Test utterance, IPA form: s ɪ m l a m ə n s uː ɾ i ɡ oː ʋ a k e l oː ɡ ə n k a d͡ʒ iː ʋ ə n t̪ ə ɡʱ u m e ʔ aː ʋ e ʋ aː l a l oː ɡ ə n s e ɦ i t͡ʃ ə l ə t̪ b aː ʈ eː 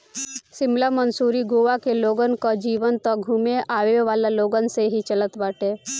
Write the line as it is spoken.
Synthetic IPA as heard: s ɪ m l a m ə n s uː ɾ i ɡ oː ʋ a k e l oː ɡ ə n k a d͡ʒ iː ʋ ə n t̪ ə ɡʱ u m e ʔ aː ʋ e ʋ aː l a l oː ɡ ə n s e ɦ i t͡ʃ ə l ə t̪ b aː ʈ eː